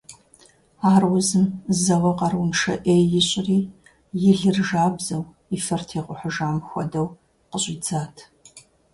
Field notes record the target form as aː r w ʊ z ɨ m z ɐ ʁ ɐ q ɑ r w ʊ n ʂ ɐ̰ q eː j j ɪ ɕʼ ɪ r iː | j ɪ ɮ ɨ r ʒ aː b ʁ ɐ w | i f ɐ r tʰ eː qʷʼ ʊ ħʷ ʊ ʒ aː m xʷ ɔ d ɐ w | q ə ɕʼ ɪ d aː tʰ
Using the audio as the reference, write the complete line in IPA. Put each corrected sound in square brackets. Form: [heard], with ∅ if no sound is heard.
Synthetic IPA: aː r w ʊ z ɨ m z ɐ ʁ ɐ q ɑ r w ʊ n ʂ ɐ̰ [ʔ] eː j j ɪ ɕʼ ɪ r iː | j ɪ ɮ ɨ r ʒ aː b [z] ɐ w | i f ɐ r tʰ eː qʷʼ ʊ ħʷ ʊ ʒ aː m xʷ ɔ d ɐ w | q ə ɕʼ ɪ [d͡z] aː tʰ